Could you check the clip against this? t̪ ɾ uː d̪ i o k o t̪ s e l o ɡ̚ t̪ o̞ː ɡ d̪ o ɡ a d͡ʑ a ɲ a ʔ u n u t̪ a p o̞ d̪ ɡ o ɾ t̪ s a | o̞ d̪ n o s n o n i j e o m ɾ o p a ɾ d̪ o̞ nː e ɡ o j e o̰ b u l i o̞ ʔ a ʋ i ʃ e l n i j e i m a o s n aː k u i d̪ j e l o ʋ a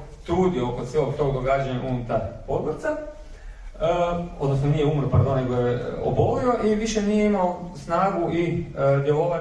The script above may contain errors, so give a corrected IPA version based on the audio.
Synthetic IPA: t̪ ɾ uː d̪ i o k o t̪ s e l o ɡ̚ t̪ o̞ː ɡ d̪ o ɡ a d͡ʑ a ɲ a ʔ u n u t̪ a p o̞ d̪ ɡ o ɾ t̪ s a | o̞ d̪ n o s n o n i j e u m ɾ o p a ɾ d̪ o̞ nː e ɡ o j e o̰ b o l i o̞ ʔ i ʋ i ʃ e n i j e i m a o s n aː ɡ u i d̪ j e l o ʋ a